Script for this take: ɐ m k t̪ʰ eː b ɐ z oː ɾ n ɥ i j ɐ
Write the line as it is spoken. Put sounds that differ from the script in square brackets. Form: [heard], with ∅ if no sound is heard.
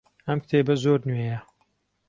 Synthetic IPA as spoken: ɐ m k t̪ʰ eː b ɐ z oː ɾ n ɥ [e] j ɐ